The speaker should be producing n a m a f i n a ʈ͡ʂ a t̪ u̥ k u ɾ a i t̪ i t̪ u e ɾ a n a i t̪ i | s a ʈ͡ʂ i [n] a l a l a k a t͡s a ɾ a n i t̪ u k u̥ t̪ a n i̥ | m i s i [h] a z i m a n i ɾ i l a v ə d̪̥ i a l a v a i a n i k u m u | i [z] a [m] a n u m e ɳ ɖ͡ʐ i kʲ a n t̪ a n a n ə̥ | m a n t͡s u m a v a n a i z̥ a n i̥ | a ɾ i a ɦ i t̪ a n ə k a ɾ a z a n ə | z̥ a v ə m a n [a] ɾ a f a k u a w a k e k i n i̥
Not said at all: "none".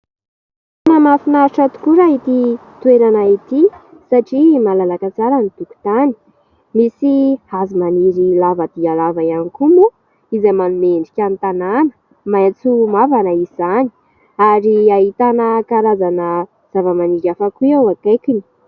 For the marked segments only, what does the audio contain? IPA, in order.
m, h, z, m, i

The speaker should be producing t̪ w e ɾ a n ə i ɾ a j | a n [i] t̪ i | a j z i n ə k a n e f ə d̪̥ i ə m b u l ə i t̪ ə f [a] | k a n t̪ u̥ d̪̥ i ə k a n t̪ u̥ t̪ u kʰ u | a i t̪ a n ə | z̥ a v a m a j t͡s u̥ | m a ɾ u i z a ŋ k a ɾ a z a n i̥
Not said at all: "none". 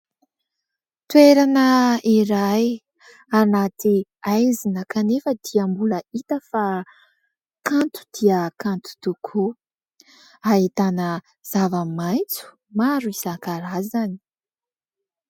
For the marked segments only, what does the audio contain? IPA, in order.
a, a

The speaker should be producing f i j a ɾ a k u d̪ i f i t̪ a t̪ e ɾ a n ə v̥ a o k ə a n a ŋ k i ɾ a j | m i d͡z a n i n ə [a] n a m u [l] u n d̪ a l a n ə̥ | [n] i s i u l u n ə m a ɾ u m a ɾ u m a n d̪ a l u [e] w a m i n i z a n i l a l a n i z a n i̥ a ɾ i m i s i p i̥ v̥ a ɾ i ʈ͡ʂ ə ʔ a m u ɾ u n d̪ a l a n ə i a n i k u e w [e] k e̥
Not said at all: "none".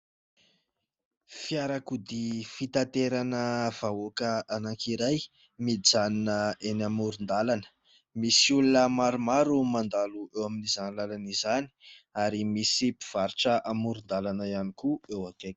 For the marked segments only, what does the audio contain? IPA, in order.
e, ɾ, m, e, a

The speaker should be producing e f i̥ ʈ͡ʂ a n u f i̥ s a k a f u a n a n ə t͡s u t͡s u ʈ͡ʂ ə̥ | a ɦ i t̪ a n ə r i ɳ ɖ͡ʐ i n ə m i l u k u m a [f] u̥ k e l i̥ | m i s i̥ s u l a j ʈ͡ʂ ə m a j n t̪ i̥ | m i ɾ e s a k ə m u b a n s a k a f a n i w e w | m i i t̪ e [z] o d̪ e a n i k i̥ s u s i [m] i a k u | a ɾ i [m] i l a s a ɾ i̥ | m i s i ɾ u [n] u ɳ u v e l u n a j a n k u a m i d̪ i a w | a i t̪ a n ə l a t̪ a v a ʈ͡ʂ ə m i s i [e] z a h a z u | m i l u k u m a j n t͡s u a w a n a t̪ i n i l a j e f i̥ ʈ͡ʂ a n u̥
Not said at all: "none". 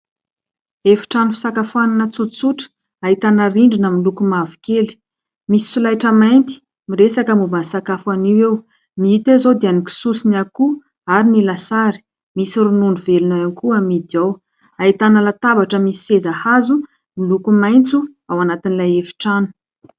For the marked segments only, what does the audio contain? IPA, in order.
v, z, n, n, n, e

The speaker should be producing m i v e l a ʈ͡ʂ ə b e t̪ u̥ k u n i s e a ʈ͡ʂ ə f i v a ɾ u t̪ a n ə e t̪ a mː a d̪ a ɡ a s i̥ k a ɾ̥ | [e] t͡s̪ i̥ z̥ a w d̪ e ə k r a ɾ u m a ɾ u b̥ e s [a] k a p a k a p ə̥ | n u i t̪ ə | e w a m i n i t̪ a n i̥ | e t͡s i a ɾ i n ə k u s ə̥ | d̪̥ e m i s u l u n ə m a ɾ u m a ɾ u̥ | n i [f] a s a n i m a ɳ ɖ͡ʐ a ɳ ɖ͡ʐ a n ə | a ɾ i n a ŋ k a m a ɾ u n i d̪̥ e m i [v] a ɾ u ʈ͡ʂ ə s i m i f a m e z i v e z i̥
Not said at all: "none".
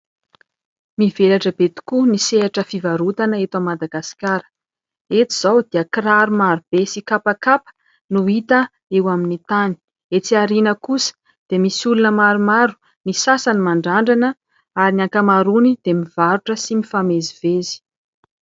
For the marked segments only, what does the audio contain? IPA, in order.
e, i, s, v

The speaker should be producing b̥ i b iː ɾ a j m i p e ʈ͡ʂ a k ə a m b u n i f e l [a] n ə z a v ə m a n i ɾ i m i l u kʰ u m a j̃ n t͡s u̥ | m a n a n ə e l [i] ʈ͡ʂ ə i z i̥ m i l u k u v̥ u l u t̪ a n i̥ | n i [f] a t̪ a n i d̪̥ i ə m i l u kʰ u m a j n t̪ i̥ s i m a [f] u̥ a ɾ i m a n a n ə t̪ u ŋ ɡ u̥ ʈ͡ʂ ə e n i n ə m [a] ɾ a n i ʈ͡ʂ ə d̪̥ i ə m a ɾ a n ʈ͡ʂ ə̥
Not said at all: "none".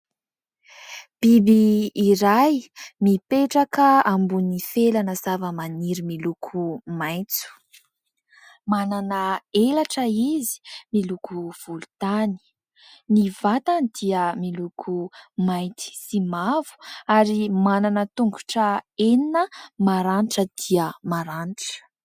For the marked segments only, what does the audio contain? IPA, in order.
a, a, v, v, a

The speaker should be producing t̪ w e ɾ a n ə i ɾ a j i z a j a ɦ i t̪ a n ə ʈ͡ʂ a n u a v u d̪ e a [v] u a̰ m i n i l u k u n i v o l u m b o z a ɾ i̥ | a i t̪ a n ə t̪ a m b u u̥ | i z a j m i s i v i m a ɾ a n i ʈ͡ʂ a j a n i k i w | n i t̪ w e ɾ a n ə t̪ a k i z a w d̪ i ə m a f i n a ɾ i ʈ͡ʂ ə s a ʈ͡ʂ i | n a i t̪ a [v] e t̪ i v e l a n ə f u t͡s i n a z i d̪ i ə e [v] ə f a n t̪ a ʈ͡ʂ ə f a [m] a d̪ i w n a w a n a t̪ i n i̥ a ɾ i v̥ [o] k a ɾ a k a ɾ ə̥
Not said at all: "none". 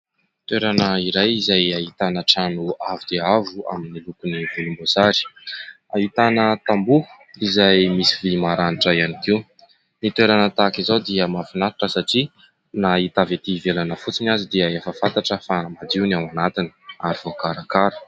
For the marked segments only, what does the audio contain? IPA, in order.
v, v, f, m, o

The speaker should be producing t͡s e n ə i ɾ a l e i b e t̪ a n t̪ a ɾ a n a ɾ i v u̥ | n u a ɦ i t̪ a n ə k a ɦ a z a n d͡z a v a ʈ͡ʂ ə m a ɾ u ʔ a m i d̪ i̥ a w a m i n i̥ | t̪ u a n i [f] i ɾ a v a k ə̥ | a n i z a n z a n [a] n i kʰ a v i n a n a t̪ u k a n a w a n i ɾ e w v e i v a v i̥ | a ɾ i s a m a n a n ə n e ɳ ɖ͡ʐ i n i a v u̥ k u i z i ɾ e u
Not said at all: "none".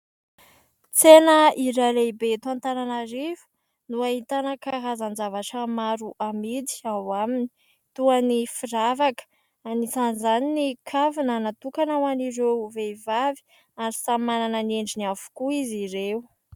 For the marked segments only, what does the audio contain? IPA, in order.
f, i

